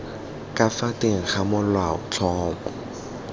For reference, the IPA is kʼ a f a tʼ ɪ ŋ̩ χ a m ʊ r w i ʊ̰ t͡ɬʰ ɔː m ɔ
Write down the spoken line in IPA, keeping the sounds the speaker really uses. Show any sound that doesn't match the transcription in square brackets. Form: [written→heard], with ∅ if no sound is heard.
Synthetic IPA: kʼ a f a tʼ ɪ ŋ̩ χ a m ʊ [r→l] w [i→a] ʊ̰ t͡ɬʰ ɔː m ɔ